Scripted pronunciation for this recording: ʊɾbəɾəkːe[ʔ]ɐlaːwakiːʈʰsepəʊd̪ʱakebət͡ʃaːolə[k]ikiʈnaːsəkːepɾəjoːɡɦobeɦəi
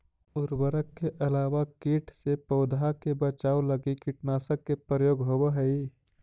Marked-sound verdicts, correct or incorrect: correct, incorrect: ɡ

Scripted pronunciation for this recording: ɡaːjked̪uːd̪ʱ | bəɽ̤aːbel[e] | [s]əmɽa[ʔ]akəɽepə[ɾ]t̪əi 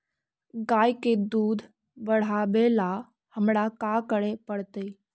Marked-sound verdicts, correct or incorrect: incorrect: a, incorrect: h, incorrect: k, incorrect: ɽ

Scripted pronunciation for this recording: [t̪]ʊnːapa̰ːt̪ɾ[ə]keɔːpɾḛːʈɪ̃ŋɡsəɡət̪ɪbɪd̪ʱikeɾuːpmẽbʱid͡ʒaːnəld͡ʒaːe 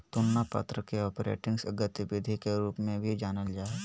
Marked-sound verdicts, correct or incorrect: correct, correct

